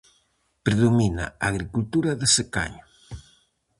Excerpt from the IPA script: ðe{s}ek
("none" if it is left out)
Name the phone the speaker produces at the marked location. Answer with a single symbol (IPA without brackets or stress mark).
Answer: s